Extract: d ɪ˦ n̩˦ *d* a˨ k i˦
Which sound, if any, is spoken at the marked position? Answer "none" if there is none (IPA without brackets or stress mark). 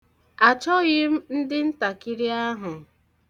t